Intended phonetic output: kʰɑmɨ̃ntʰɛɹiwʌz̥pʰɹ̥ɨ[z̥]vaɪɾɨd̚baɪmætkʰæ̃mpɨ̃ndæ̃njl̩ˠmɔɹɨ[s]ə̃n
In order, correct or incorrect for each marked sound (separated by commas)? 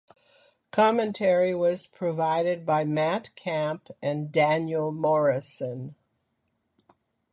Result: incorrect, correct